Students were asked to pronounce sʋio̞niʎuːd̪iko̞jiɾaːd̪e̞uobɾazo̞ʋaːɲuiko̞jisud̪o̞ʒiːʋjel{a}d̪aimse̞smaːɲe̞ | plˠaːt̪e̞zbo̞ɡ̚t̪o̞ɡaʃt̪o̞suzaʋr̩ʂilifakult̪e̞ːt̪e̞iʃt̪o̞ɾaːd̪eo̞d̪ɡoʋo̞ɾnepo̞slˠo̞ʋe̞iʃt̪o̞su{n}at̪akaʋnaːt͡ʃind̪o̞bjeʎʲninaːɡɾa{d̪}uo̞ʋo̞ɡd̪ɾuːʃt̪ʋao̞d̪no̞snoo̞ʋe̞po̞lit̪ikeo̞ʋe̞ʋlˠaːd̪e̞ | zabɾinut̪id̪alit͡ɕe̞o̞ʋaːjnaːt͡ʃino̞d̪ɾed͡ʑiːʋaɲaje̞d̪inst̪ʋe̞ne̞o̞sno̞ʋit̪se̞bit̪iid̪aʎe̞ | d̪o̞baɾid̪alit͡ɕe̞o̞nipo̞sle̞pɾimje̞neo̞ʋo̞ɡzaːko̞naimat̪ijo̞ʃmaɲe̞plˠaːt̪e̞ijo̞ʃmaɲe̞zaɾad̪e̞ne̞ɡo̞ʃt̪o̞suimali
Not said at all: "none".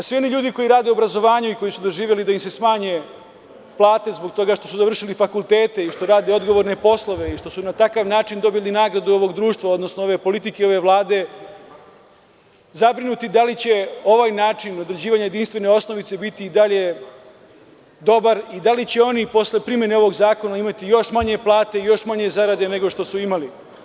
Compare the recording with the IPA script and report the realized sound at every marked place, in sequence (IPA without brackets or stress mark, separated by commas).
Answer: i, n, d̪